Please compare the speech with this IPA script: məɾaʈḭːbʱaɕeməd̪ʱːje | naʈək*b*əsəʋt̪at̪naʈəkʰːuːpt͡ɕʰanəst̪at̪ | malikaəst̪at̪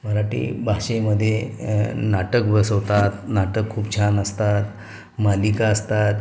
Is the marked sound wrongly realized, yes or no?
no